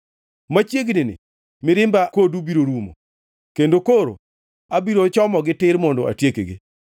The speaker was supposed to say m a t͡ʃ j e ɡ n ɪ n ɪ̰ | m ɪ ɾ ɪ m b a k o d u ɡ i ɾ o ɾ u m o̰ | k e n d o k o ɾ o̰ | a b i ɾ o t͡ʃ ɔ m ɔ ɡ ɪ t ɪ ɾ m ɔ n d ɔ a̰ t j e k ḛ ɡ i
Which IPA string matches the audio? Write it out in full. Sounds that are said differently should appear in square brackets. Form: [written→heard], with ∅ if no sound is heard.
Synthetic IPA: m a t͡ʃ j e ɡ n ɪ n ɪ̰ | m ɪ ɾ ɪ m b a k o d u [ɡ→b] i ɾ o ɾ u m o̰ | k e n d o k o ɾ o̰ | a b i ɾ o t͡ʃ ɔ m ɔ ɡ ɪ t ɪ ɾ m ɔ n d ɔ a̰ t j e k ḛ ɡ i